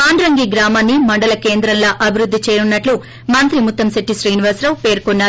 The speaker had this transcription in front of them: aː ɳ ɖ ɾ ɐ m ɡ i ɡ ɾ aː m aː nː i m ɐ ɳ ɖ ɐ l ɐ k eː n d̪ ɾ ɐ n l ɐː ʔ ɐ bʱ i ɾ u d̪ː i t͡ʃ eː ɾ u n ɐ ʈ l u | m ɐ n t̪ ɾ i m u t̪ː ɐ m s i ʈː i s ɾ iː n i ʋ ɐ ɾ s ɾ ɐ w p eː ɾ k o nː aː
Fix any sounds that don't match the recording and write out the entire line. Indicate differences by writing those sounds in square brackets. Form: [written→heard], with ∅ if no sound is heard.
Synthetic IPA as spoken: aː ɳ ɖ ɾ ɐ [m→ŋ] ɡ i ɡ ɾ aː m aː nː i m ɐ ɳ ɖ ɐ l ɐ k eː n d̪ ɾ ɐ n l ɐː ʔ ɐ bʱ i ɾ u d̪ː i t͡ʃ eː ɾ u [n→nː] ɐ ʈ l u | m ɐ n t̪ ɾ i m u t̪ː ɐ m s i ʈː i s ɾ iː n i ʋ ɐ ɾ s ɾ ɐ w p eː ɾ k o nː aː

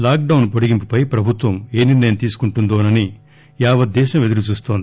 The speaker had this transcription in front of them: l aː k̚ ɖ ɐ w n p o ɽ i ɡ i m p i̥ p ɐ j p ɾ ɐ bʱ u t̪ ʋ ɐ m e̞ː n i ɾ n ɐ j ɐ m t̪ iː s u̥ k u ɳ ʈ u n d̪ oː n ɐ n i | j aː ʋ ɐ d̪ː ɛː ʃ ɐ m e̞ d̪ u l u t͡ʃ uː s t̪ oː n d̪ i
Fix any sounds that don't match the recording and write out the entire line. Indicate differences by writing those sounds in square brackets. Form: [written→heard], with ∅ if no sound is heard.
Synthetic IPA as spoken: l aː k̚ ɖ ɐ w n p o ɽ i ɡ i m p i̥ p ɐ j p ɾ ɐ bʱ u t̪ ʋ ɐ m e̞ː n i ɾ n ɐ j ɐ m t̪ iː s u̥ k u ɳ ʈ u n d̪ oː n ɐ n i | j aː ʋ ɐ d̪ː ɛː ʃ ɐ m e̞ d̪ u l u t͡ʃ uː s t̪ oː n d̪ i

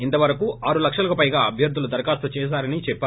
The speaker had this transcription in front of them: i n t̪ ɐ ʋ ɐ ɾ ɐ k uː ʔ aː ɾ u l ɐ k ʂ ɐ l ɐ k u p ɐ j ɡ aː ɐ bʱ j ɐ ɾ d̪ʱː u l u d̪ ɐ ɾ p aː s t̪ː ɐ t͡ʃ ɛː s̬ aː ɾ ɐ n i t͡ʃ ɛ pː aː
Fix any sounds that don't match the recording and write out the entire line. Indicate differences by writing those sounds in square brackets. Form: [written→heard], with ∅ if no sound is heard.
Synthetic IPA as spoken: i n t̪ ɐ ʋ ɐ ɾ ɐ k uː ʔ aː ɾ u l ɐ k ʂ ɐ l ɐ k u p ɐ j ɡ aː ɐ bʱ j ɐ ɾ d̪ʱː u l u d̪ ɐ ɾ [p→k] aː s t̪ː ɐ t͡ʃ ɛː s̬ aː ɾ ɐ n i t͡ʃ ɛ pː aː

